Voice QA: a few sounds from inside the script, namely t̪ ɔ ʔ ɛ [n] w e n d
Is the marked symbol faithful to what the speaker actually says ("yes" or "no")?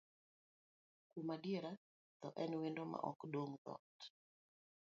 yes